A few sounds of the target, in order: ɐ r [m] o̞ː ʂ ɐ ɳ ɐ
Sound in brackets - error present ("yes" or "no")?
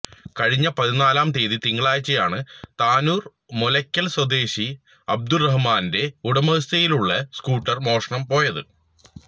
no